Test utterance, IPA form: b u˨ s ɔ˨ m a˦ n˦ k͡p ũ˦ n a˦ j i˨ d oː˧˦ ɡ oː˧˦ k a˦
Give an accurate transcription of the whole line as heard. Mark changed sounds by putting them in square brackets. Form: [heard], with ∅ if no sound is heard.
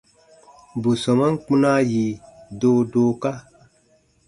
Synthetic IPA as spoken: b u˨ s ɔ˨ m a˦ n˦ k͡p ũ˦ n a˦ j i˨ d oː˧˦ [d] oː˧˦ k a˦